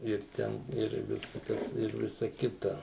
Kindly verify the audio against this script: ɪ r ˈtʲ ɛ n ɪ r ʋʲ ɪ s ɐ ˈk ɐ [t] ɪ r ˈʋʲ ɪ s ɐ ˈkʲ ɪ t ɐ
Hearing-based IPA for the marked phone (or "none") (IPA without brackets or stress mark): s